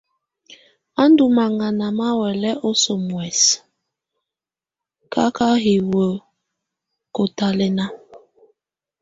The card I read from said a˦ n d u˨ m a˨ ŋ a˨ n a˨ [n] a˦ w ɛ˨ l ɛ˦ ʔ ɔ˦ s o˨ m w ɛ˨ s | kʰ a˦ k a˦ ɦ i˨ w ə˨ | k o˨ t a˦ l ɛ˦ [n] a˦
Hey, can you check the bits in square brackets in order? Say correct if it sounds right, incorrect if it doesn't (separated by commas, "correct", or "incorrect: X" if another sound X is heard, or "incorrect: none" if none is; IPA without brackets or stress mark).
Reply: incorrect: m, correct